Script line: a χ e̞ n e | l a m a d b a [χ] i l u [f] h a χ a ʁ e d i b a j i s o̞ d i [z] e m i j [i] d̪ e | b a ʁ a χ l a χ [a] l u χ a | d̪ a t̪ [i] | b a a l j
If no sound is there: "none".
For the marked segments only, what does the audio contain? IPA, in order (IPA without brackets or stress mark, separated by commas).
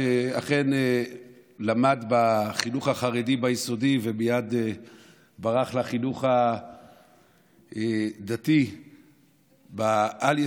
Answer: χ, χ, v, a, i, i